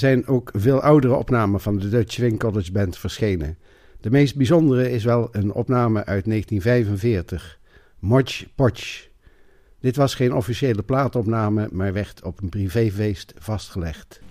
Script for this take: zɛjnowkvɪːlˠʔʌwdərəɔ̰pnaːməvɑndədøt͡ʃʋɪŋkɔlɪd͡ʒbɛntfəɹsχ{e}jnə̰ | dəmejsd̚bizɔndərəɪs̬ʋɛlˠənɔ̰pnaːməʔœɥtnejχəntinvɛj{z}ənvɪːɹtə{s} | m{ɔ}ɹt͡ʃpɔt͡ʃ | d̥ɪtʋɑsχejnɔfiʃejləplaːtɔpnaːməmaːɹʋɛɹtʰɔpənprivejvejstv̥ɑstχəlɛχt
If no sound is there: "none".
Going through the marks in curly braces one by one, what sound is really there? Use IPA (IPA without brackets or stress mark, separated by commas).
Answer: e, v, χ, ɔ